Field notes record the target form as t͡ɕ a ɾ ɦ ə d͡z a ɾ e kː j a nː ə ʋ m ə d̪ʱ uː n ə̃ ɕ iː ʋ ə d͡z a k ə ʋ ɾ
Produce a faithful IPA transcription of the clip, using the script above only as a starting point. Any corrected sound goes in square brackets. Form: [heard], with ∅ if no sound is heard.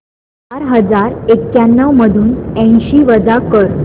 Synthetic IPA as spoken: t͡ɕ a ɾ ɦ ə d͡z a ɾ e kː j a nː ə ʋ m ə d̪ʱ uː n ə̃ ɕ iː ʋ ə d͡z a k ə [∅] ɾ